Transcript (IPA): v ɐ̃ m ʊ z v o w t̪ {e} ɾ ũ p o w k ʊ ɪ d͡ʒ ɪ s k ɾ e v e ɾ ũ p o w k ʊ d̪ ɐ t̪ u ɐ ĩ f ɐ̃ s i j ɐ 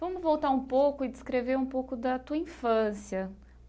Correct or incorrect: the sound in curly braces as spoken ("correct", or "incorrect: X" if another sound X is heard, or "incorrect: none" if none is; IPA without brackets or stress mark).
incorrect: a